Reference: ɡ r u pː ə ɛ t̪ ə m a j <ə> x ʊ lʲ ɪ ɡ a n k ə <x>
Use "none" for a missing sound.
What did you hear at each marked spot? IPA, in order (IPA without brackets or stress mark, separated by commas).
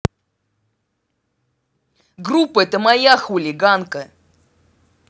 a, none